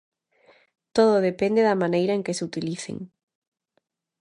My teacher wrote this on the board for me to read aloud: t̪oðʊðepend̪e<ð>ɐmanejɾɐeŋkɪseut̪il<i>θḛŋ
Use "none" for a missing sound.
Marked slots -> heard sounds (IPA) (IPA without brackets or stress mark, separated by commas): ð, i